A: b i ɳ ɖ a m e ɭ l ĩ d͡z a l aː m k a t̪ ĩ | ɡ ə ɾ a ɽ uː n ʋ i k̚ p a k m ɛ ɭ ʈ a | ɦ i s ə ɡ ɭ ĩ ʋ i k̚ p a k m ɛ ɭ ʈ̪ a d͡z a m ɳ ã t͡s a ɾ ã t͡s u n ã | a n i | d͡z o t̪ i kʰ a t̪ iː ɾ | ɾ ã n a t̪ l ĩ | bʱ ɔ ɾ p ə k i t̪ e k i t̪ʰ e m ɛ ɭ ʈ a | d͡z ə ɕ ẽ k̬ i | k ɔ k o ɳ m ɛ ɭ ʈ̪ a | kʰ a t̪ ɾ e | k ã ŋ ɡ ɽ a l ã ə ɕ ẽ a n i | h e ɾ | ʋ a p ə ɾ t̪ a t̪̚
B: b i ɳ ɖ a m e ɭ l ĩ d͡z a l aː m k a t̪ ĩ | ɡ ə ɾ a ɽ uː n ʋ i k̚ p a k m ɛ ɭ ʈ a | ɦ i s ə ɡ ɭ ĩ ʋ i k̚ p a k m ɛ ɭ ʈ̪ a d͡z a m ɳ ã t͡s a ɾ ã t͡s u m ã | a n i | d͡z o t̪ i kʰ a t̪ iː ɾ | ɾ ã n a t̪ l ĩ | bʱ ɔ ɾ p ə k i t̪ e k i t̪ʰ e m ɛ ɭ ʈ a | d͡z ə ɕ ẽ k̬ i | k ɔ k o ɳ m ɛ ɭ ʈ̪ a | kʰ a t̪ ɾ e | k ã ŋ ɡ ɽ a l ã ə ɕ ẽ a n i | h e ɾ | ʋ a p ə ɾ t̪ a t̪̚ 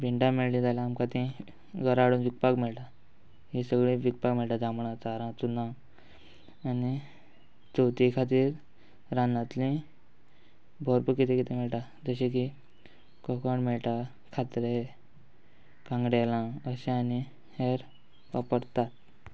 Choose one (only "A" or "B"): A